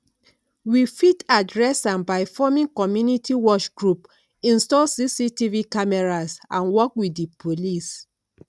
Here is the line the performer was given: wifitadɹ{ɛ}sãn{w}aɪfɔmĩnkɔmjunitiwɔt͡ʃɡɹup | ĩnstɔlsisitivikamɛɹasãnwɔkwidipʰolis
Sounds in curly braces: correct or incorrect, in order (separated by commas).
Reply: correct, incorrect